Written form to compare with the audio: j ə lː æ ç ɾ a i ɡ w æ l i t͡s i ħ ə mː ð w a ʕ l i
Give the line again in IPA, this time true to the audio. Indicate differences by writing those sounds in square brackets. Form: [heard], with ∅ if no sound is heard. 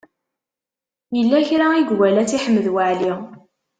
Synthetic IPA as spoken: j ə lː æ ç ɾ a i ɡ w æ l [æ] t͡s i ħ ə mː ð w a ʕ l i